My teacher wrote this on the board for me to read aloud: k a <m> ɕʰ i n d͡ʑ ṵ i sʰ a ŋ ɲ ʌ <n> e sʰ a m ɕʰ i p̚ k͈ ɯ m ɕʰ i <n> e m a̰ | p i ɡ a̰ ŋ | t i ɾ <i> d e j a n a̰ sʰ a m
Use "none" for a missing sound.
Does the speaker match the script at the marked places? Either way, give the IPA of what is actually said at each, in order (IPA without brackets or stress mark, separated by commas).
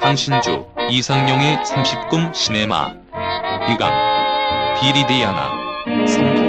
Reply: ŋ, ŋ, n, i